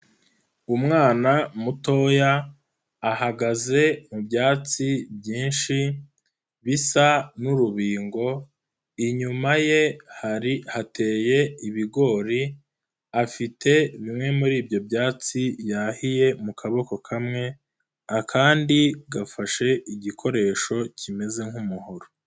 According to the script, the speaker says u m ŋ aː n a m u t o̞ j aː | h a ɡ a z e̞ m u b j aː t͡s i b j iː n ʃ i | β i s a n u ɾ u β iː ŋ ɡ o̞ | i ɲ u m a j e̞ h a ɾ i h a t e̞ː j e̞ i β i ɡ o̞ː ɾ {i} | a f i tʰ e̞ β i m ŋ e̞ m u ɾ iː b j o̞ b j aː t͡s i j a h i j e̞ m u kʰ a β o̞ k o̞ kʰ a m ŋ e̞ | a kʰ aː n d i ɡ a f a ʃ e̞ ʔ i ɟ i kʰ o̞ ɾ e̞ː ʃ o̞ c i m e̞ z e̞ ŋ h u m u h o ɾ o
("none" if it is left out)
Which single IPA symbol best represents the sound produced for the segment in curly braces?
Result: i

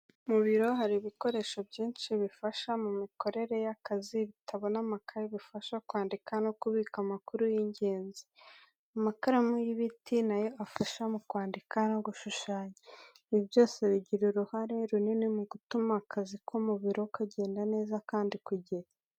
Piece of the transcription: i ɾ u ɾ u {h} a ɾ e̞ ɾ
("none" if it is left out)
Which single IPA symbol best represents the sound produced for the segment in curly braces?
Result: h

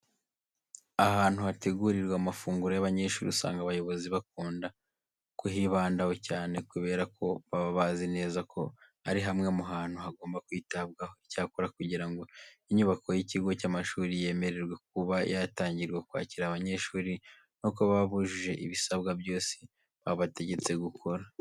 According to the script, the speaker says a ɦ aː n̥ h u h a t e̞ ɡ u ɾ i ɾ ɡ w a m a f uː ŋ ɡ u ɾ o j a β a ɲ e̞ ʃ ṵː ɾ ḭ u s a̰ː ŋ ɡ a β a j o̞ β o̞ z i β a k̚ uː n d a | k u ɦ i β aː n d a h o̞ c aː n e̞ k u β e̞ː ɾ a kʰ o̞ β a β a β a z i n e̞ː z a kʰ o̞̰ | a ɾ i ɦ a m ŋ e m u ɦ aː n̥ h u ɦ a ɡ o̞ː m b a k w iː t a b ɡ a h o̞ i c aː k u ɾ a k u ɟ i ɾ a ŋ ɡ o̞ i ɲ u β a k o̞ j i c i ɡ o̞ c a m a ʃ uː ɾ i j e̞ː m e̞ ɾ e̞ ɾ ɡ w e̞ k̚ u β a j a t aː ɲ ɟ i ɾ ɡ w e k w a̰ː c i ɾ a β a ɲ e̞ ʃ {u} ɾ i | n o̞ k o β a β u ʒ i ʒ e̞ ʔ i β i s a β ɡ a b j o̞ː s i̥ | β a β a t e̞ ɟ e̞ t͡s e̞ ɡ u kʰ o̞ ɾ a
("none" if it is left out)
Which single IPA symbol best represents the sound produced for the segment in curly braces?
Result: uː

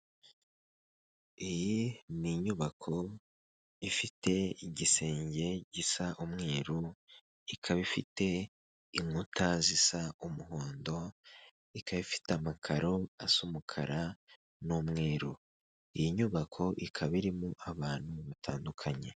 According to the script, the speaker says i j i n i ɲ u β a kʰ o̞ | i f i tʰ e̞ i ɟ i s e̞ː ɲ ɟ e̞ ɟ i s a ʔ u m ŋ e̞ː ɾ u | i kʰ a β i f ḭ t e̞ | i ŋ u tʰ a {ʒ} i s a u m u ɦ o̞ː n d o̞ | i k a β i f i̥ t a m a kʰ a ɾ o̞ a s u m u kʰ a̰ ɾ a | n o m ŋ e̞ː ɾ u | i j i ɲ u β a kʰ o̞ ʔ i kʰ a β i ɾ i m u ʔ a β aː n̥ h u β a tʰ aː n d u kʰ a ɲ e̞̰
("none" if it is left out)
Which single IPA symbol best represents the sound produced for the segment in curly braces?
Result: z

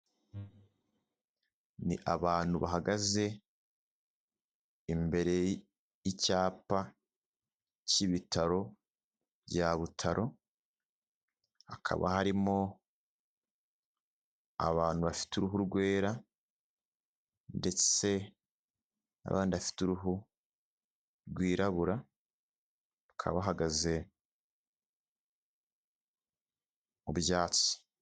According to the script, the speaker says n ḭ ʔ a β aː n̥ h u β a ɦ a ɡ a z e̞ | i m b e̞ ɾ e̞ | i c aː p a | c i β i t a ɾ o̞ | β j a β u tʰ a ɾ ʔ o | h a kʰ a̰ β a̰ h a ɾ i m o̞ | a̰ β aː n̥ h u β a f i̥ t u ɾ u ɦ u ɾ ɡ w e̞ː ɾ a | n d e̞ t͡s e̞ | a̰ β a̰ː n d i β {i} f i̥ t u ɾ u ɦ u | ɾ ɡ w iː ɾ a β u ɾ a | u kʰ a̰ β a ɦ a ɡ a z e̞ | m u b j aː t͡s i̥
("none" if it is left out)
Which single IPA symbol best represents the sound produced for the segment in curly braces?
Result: a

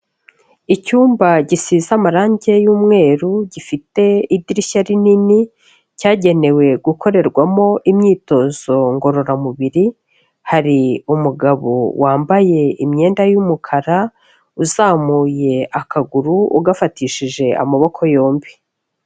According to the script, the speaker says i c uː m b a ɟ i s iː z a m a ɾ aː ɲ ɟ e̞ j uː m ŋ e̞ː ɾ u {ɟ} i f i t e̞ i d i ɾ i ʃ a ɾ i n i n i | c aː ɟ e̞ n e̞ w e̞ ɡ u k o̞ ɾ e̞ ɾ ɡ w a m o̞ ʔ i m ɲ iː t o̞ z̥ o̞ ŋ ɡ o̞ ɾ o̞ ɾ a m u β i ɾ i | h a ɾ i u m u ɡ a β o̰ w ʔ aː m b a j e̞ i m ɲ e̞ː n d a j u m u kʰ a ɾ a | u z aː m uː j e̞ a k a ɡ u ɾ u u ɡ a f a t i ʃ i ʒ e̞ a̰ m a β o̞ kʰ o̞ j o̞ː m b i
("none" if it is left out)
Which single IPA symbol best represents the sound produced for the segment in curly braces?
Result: ɟ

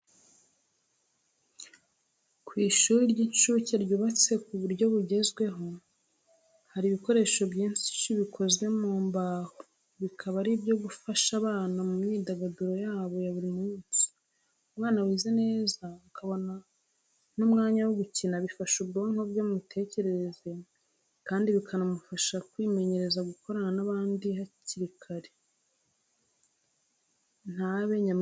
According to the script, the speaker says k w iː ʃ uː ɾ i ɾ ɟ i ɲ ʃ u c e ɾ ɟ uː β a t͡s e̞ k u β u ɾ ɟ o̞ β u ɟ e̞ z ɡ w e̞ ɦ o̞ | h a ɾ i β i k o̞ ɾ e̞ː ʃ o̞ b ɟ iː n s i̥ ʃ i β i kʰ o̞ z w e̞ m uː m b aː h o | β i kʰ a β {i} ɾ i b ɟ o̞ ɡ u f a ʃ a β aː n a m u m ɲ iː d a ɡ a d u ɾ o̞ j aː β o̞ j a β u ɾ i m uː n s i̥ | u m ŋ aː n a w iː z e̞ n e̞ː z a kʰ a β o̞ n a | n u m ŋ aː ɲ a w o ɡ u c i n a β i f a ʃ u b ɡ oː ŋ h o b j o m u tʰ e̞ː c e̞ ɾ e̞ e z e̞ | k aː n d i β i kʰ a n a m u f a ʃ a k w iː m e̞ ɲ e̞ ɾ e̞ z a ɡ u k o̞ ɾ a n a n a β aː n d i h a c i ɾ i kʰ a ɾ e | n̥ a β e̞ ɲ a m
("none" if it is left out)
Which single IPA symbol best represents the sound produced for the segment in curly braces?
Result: a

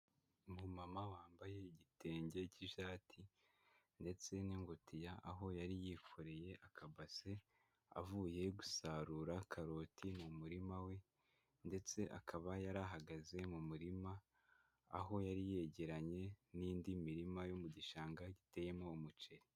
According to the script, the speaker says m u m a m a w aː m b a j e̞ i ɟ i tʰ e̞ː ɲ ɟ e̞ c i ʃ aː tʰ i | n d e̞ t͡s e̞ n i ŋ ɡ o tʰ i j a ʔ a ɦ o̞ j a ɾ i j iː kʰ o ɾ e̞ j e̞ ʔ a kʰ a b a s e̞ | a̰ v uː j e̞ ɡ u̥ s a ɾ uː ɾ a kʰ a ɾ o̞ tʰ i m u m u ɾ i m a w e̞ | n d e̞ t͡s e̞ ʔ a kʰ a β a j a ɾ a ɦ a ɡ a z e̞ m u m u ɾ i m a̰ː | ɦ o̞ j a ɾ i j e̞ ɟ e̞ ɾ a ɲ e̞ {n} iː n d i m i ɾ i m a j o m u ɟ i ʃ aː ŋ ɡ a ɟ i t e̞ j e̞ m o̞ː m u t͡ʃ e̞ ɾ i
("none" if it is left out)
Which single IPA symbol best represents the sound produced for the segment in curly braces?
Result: n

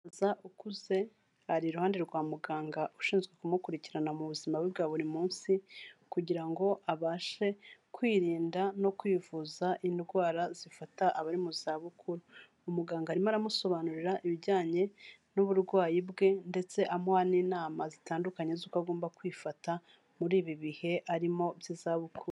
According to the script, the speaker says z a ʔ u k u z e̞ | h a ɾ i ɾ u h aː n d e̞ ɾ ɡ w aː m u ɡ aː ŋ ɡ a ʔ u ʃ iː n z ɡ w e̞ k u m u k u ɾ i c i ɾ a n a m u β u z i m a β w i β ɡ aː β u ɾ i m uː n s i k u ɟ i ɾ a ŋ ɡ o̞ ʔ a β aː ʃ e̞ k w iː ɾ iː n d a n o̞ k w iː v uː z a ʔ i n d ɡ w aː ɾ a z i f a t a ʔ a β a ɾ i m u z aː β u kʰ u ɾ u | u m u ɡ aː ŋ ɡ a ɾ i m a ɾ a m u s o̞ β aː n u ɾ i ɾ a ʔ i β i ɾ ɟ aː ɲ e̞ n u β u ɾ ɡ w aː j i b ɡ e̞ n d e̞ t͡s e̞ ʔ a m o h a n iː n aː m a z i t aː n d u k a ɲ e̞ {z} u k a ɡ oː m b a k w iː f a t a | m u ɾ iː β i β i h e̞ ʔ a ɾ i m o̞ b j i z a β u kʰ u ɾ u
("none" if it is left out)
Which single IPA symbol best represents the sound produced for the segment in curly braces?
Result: z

